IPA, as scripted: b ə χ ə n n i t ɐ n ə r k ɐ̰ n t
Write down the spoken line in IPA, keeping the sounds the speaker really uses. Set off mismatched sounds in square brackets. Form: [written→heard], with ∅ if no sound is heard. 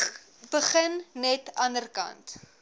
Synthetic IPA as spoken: b ə χ ə n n [i→ɛ] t ɐ n ə r k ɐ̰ n t